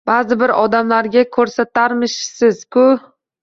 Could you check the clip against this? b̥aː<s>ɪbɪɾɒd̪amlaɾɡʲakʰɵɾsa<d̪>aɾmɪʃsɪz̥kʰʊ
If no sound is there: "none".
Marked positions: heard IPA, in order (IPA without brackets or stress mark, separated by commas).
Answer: z, t̪